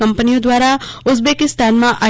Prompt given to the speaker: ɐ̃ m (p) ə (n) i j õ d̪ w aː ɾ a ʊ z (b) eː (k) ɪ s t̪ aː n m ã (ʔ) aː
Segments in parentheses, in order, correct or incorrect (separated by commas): correct, correct, correct, correct, correct